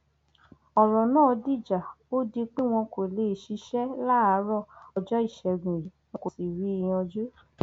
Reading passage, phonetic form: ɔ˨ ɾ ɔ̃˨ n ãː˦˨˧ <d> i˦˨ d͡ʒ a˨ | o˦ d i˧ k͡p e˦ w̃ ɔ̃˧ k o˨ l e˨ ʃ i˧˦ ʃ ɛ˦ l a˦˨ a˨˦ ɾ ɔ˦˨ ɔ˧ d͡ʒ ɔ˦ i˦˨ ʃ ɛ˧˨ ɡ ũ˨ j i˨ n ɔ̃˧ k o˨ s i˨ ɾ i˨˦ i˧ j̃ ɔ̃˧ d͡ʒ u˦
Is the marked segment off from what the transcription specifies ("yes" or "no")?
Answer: no